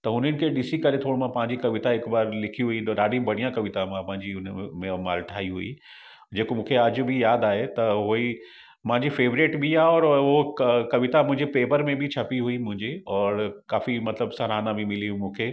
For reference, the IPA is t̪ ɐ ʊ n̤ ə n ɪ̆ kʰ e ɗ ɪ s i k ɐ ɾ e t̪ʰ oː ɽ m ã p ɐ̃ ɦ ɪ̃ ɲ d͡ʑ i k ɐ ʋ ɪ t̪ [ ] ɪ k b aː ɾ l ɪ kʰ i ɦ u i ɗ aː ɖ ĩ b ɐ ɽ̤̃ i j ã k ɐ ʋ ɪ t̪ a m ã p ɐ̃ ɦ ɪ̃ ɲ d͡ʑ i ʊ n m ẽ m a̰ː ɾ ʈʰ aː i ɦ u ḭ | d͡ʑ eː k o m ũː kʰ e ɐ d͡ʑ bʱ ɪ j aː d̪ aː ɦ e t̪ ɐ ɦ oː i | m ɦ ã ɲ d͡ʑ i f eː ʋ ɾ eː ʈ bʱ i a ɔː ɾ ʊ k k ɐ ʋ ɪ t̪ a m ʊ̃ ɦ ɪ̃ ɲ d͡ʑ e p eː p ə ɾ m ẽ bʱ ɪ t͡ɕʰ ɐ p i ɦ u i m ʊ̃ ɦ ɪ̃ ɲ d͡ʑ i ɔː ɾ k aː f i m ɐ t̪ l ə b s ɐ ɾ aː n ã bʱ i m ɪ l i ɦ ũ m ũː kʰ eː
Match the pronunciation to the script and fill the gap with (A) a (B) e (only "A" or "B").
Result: A